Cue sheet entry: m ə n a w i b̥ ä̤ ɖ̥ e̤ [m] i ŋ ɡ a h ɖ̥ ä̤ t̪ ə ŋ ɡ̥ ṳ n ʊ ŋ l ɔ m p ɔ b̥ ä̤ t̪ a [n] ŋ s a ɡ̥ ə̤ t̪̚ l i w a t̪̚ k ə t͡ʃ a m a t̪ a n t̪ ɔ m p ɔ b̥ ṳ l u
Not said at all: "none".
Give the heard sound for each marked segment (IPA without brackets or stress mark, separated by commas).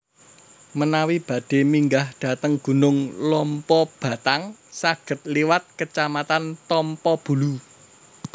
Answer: m, none